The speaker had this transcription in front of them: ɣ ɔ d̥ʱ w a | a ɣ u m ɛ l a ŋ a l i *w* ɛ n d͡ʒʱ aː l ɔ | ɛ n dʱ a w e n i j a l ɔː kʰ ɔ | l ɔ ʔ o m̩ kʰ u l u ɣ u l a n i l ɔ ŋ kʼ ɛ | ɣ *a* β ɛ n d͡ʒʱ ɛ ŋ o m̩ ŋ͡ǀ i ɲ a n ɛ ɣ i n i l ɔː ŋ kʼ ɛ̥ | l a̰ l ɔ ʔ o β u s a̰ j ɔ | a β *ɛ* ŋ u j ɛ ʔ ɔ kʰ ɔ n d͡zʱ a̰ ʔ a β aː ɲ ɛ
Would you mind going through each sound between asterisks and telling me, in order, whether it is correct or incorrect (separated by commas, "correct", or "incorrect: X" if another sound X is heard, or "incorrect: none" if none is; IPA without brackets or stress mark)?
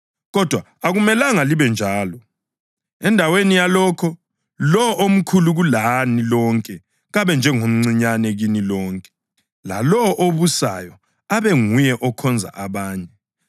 incorrect: β, correct, correct